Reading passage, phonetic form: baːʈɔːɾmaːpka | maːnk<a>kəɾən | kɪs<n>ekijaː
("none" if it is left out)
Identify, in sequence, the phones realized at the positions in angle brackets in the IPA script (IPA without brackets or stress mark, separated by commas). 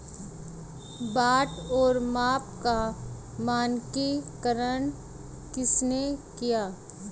i, n